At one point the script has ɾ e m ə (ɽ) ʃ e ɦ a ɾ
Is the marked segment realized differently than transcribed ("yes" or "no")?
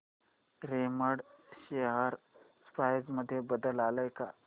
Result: no